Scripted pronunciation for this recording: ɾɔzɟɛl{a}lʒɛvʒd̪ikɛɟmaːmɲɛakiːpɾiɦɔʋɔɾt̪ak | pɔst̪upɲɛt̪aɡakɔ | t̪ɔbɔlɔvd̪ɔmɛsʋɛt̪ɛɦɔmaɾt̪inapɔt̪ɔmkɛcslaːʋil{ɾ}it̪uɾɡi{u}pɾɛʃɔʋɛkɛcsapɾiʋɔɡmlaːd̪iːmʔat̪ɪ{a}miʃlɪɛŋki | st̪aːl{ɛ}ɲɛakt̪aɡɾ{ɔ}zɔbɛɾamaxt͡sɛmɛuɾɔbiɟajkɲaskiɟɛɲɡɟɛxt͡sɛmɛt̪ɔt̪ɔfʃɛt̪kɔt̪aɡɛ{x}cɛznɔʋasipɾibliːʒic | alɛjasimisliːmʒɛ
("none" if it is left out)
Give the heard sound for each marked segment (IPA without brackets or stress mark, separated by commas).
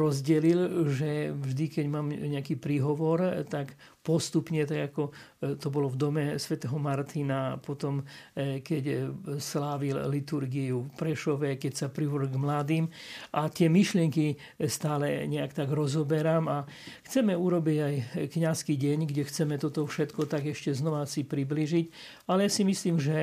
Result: i, l, u, ɛ, ɛ, ɔ, ʃ